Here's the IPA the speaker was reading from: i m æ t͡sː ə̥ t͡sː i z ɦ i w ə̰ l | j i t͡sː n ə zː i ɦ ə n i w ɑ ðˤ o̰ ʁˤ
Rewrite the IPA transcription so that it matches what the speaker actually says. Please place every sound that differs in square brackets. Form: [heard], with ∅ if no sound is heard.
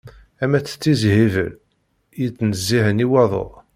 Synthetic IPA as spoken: [æ] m æ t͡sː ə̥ t͡sː i z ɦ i [v] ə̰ l | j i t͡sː n ə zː i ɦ ə n i w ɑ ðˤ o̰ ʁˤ